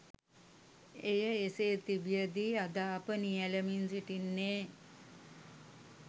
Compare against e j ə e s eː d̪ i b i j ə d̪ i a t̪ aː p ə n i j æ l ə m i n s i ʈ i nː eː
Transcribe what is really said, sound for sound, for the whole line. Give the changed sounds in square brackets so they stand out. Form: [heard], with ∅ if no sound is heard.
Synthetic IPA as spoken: e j ə e s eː [t̪] i b i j ə d̪ i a [d̪] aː p ə n i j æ l ə m i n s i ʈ i nː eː